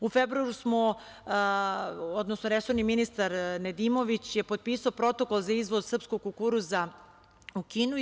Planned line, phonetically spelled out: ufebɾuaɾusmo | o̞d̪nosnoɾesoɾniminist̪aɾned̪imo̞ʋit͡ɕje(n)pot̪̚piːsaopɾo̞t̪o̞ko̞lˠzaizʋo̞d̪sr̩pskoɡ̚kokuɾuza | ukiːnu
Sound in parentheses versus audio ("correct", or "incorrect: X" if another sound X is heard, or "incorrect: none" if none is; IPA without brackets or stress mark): incorrect: none